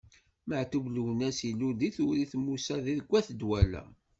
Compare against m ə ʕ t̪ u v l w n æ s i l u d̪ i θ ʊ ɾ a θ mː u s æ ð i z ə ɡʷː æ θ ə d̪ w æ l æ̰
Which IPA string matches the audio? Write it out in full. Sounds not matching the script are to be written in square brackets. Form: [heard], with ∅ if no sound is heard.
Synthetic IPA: m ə ʕ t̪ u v l w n æ s i l u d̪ i θ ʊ ɾ [i] θ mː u s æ ð i [ð] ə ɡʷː æ θ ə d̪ w æ l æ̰